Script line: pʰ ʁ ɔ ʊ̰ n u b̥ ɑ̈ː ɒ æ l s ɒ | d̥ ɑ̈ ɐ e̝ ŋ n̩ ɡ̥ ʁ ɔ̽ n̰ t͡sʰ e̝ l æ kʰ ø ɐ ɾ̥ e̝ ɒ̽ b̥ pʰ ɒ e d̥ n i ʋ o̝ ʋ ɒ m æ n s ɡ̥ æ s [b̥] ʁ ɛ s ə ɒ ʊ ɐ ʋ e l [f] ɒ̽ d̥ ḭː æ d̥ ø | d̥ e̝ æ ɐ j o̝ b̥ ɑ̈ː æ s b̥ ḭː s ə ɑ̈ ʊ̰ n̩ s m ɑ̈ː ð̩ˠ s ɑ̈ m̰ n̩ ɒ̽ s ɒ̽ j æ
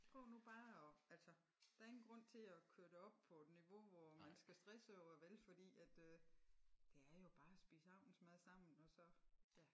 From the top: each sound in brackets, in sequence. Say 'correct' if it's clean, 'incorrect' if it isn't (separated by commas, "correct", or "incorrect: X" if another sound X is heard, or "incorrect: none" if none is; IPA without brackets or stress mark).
incorrect: d̥, correct